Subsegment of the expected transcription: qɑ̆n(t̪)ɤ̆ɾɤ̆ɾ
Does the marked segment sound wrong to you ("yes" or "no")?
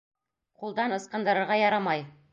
yes